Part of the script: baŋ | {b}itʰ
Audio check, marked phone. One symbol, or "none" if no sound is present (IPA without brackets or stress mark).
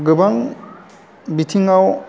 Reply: b